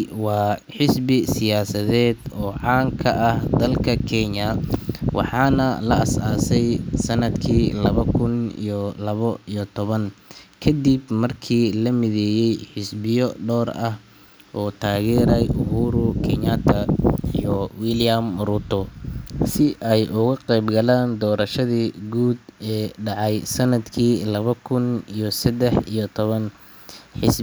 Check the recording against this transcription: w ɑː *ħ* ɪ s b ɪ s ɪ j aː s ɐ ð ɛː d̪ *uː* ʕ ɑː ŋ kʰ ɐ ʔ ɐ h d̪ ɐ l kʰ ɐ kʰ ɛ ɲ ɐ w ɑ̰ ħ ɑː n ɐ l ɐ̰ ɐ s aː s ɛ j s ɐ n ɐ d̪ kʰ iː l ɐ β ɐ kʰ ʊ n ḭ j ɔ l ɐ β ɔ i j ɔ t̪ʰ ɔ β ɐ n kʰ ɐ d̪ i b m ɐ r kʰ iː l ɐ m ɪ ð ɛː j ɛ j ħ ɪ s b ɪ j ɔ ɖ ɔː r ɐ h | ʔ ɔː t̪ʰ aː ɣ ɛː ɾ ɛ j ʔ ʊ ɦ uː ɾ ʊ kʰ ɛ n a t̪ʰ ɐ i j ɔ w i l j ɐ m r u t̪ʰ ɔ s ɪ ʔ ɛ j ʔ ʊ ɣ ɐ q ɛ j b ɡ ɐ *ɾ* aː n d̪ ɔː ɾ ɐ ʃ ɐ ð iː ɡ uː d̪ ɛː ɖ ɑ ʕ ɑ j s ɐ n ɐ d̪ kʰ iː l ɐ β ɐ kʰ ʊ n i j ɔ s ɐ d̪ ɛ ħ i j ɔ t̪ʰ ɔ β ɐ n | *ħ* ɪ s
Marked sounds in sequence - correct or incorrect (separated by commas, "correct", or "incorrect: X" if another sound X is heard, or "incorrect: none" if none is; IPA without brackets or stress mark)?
correct, incorrect: ɔː, incorrect: l, correct